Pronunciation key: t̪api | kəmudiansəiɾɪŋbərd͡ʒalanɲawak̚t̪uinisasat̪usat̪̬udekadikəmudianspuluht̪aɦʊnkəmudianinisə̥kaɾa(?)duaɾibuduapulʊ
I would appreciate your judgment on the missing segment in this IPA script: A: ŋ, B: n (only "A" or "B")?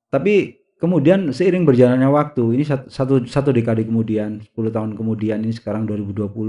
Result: A